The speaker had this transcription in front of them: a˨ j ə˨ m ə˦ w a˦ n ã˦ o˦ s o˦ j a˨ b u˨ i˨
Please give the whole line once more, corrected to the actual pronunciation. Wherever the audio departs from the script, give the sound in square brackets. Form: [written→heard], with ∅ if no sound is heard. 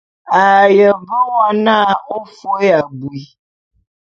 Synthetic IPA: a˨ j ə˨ [m→b] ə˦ w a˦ n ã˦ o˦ [s→f] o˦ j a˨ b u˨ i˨